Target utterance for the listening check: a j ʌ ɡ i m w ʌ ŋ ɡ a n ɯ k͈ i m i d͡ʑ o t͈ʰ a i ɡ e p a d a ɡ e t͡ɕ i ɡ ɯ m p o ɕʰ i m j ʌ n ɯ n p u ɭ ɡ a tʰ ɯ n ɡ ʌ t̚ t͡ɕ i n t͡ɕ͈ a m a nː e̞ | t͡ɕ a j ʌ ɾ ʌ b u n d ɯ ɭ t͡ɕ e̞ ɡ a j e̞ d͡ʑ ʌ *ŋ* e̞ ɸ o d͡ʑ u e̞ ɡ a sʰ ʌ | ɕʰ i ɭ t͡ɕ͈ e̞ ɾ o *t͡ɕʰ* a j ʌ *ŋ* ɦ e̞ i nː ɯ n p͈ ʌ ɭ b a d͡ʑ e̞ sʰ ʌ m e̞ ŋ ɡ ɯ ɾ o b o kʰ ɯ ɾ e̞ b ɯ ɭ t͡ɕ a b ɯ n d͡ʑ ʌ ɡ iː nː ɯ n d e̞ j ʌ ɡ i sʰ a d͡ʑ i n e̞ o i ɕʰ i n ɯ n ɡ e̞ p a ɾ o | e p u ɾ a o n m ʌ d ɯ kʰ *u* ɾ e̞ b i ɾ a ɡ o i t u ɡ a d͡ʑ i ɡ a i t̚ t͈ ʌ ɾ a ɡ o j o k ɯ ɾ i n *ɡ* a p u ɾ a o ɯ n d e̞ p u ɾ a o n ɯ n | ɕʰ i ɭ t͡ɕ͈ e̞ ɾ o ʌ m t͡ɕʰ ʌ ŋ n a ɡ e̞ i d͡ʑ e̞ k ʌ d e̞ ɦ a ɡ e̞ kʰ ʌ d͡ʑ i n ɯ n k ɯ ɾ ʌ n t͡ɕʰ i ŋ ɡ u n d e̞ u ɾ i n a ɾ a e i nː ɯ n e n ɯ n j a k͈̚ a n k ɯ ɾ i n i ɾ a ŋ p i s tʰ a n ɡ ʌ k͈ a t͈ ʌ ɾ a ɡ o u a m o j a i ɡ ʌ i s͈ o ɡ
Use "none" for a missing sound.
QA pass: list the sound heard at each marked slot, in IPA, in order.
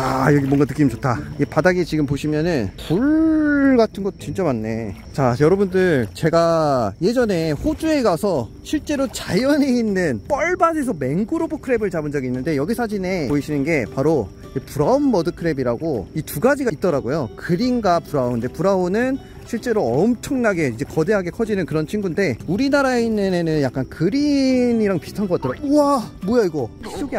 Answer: n, t͡ɕ, n, ɯ, ɡ

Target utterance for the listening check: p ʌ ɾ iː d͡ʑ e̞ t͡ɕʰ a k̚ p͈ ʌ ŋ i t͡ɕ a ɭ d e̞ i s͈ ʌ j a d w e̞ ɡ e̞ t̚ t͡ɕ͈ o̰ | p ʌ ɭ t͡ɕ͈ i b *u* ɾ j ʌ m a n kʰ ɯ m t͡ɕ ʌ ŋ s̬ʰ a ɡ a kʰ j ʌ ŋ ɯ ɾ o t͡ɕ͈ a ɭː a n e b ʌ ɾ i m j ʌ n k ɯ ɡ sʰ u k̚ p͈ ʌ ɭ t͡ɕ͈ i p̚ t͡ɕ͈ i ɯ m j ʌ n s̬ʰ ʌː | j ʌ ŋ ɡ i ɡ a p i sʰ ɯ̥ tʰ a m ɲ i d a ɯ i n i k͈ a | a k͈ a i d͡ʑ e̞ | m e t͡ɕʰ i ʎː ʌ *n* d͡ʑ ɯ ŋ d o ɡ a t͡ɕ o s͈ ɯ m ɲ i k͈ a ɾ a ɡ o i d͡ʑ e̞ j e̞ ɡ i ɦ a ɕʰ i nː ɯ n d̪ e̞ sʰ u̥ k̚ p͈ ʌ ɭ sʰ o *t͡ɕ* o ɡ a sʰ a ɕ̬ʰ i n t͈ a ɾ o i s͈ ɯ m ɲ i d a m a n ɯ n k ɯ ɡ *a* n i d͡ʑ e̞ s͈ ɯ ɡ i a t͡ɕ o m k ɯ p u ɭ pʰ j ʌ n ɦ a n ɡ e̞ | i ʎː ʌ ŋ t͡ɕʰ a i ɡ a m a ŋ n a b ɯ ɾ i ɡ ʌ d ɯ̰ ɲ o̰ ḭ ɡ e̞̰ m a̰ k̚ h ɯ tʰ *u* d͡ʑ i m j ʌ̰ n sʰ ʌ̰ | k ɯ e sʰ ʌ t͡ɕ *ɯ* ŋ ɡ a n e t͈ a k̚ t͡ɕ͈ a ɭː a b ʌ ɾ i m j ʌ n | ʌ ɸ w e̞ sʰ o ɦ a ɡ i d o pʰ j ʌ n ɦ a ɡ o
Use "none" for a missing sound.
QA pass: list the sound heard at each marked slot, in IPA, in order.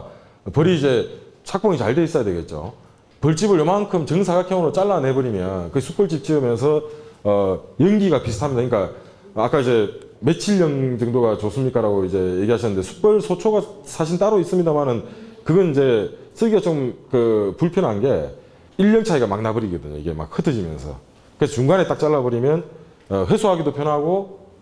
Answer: ɯ, ŋ, t͡ɕʰ, ʌ, ɯ, u

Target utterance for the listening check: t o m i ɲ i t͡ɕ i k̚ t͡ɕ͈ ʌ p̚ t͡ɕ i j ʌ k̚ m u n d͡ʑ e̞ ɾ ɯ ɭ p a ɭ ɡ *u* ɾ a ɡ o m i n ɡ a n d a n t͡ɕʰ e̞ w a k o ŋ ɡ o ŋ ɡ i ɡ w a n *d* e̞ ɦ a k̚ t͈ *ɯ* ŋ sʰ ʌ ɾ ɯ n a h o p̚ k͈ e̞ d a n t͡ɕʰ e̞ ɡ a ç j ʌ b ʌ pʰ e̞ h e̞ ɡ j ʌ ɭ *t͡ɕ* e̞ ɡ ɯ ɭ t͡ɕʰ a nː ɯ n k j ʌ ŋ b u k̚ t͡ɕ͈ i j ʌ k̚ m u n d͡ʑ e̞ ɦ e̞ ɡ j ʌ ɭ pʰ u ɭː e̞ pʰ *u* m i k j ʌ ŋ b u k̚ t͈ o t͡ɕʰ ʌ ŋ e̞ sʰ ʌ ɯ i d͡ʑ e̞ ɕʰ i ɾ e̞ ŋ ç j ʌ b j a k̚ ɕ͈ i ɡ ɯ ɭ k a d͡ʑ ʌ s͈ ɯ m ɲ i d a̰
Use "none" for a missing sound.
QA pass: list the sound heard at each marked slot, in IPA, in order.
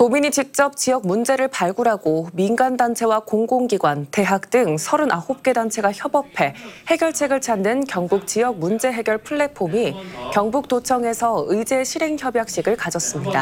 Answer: u, t, ɯ, t͡ɕʰ, o

